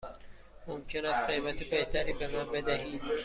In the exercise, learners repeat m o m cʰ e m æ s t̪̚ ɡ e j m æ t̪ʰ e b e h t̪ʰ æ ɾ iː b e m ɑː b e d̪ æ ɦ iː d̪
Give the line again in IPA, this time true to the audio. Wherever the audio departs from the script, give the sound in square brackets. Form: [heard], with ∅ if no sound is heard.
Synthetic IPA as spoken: m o m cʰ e [n] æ s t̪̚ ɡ e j m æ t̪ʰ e b e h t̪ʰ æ ɾ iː b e [n] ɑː b e d̪ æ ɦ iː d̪